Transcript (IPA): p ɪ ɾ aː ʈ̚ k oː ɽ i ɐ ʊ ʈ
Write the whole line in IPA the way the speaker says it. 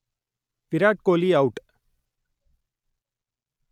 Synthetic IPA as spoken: p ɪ ɾ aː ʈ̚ k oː l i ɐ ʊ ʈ